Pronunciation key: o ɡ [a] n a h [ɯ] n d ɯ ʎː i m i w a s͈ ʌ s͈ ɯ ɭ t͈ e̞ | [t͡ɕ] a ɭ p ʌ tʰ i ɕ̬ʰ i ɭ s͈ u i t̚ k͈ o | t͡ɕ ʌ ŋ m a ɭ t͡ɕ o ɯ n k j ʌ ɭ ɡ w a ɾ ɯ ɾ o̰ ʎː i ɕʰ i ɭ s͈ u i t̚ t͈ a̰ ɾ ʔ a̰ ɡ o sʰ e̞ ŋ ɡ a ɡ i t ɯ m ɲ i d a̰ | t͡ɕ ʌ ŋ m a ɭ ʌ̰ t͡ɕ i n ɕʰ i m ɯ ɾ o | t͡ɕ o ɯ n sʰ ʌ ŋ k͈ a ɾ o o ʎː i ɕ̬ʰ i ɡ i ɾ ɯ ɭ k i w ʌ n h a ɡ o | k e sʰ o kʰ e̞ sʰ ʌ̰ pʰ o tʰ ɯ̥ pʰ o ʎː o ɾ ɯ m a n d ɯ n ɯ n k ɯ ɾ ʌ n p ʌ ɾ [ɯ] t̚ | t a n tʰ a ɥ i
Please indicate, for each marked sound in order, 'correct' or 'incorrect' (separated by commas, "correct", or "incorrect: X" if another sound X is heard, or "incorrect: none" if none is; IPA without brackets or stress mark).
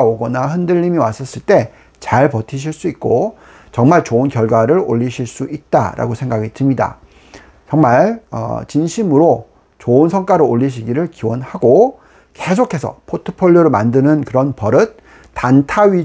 incorrect: ʌ, correct, correct, correct